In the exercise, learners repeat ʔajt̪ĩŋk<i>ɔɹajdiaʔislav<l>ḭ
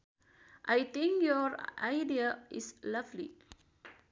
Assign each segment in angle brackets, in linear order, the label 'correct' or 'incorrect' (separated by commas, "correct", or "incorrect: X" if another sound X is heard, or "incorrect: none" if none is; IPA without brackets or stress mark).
incorrect: j, correct